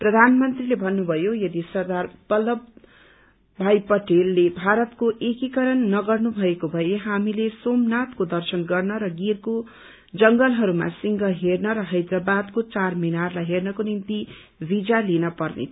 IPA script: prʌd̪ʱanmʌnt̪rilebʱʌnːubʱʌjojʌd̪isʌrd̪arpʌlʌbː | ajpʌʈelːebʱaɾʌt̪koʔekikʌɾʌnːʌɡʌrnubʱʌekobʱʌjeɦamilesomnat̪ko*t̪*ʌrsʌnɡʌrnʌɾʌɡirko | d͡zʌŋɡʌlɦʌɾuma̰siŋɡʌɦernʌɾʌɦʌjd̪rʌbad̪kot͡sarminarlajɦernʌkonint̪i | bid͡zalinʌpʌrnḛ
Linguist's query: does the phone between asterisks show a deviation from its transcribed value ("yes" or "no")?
yes